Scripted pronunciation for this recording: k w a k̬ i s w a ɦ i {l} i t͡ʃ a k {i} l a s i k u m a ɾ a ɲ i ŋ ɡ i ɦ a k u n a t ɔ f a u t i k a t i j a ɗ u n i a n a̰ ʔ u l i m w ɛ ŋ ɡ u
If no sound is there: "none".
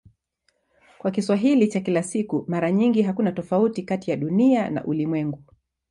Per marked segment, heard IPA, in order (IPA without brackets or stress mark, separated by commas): l, i